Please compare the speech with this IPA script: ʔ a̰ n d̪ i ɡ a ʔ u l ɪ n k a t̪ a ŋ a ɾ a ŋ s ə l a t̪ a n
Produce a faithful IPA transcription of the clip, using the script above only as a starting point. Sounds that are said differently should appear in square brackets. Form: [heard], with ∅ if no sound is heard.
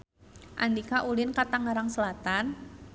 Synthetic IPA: ʔ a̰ n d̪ i [k] a ʔ u l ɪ n k a t̪ a ŋ a ɾ a ŋ s ə l a t̪ a n